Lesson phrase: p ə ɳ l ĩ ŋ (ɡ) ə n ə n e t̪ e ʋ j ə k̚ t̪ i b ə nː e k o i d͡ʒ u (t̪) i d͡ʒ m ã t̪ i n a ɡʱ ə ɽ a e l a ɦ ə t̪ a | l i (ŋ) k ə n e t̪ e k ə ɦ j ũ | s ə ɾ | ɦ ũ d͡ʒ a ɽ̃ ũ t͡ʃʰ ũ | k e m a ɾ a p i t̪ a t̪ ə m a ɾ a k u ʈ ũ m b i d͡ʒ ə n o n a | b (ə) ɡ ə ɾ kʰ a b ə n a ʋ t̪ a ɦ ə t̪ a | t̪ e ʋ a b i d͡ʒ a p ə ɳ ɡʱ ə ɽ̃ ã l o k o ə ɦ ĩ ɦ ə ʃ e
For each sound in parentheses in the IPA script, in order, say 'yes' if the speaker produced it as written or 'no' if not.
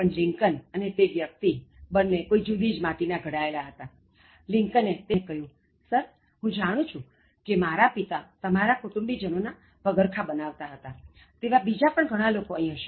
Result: no, no, yes, yes

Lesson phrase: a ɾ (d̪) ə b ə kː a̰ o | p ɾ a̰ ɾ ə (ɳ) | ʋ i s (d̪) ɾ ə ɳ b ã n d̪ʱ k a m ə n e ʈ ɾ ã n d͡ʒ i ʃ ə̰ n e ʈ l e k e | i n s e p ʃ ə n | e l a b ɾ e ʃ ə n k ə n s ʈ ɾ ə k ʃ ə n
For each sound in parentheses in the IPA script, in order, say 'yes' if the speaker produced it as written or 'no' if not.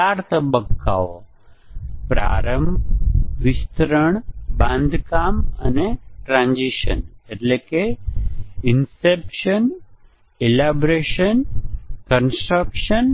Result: no, no, no

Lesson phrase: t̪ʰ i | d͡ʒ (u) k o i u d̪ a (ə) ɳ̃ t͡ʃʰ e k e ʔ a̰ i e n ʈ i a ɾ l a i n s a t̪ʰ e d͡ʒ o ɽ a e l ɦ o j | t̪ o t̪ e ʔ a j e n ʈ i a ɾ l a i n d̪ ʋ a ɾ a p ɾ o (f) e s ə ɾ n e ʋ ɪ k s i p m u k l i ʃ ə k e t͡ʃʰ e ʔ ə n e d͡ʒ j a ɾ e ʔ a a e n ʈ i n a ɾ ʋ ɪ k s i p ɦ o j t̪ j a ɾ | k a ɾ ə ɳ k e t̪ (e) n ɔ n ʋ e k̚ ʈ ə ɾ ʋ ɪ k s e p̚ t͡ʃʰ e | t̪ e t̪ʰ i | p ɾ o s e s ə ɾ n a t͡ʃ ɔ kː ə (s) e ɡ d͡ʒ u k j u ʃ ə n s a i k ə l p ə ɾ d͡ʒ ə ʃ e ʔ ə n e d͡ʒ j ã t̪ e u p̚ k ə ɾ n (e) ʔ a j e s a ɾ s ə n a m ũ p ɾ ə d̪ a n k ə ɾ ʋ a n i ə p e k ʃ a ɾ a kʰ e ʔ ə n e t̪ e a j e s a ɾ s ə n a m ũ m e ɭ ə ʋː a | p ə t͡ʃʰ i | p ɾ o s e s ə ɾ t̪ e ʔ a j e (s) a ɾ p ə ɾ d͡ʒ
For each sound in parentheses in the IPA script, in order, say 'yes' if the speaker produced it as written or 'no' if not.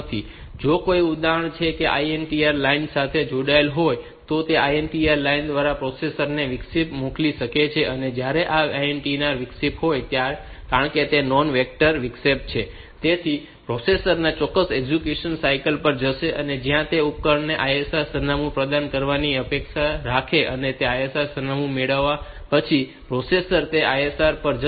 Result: no, yes, no, yes, yes, yes, yes

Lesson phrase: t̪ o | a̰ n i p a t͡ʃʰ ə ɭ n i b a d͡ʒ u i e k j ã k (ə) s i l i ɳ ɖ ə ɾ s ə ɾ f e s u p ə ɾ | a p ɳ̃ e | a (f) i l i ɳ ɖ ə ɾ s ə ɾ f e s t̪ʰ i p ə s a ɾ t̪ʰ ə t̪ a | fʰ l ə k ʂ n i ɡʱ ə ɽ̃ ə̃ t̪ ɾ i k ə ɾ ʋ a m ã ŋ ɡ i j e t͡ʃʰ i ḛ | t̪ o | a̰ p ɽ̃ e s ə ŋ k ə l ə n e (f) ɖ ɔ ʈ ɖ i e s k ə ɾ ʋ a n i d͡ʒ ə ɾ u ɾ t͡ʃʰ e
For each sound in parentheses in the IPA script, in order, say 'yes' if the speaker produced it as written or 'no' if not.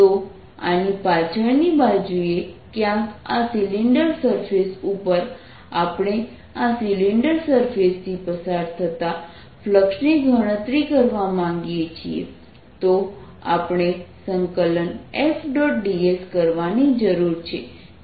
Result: no, no, yes

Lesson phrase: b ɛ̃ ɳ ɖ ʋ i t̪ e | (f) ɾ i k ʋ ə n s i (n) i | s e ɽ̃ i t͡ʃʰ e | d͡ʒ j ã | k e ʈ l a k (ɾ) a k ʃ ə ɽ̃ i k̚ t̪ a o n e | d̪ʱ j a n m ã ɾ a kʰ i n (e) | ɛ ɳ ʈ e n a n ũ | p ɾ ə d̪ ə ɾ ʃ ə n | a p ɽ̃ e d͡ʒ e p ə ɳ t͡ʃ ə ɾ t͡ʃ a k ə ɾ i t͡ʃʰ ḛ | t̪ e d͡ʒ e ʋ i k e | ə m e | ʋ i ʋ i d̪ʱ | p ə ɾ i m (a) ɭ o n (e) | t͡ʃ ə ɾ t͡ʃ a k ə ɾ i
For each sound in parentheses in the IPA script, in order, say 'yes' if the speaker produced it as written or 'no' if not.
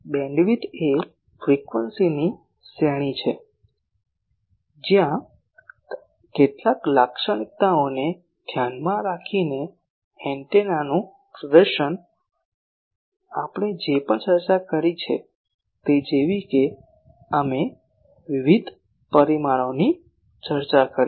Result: yes, yes, no, yes, yes, no

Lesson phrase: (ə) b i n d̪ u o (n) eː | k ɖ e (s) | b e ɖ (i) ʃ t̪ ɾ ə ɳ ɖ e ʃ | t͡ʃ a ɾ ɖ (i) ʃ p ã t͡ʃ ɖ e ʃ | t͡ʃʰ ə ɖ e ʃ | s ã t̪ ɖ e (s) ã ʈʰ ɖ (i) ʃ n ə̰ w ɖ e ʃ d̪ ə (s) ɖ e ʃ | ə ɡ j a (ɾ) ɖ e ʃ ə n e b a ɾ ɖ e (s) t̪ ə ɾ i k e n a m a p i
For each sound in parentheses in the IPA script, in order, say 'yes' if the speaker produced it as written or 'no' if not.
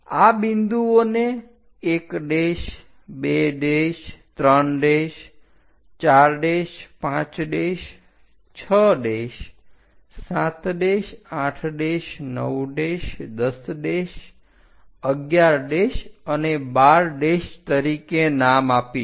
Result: no, yes, no, no, no, no, no, yes, yes, no

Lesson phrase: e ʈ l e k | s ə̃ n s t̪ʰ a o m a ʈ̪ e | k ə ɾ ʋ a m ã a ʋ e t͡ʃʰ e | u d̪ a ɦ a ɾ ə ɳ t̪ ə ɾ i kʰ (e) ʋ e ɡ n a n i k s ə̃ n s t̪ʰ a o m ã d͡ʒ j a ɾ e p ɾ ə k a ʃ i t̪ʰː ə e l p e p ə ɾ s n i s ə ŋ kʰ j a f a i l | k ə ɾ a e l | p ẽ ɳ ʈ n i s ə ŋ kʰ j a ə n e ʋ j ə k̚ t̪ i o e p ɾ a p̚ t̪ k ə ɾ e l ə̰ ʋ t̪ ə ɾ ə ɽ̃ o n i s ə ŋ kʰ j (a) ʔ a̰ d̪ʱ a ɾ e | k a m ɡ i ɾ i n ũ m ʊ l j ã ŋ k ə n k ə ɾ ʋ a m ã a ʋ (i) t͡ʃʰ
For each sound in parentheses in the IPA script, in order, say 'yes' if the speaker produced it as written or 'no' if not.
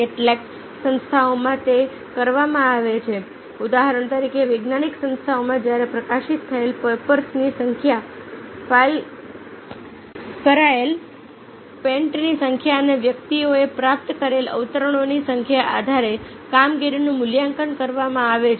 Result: yes, yes, no

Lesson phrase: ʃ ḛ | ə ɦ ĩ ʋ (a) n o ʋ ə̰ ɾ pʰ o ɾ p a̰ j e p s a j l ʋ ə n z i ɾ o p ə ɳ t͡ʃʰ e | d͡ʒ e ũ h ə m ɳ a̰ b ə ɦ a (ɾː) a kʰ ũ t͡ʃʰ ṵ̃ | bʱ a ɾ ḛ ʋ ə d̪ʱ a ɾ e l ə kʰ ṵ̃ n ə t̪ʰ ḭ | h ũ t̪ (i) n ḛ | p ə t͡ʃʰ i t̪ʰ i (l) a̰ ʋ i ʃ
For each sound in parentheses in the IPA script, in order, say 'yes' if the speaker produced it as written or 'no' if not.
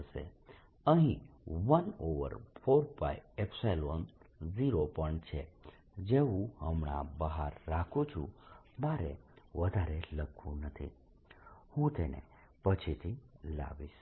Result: no, yes, no, yes

